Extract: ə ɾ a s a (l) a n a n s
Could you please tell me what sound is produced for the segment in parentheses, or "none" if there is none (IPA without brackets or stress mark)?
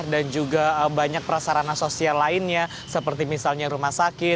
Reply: ɾ